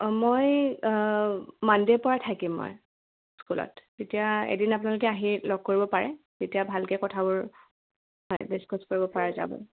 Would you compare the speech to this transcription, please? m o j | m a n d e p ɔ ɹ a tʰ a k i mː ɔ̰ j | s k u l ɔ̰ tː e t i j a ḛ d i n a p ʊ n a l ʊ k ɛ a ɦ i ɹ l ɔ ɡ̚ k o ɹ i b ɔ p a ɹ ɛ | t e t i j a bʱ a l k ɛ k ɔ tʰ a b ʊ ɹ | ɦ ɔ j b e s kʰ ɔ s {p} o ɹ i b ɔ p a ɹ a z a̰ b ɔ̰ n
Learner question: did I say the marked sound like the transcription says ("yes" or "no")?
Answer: no